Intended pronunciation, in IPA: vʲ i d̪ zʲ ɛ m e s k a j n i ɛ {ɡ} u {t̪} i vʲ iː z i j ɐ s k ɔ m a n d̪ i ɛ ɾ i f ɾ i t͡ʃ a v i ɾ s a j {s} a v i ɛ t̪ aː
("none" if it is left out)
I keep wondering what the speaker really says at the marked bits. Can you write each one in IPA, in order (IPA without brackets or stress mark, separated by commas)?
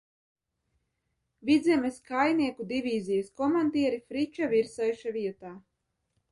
k, d̪, ʃ